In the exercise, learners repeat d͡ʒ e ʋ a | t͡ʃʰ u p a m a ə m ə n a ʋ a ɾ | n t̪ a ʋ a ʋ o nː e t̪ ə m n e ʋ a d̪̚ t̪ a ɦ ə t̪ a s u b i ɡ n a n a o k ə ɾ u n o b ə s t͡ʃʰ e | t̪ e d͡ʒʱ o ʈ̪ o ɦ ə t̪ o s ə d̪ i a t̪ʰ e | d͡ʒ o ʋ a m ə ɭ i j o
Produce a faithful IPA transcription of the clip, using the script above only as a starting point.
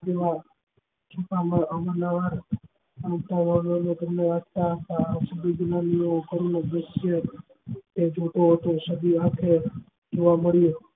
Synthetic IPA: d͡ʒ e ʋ a | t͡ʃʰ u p a m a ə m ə n a ʋ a ɾ | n t̪ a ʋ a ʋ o n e t̪ ə m n e ʋ a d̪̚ t̪ a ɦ ə t̪ a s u b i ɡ n a n i o k ə ɾ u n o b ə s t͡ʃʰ e | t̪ e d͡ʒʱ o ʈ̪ o ɦ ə t̪ o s ə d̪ i a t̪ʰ e | d͡ʒ o ʋ a m ə ɭ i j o